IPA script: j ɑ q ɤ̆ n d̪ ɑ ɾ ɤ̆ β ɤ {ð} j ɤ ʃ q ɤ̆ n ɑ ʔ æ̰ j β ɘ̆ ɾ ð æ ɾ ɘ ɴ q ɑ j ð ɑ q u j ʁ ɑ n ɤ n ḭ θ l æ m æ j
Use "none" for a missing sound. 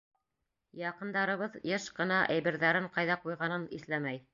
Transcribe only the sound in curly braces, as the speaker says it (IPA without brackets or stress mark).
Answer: ð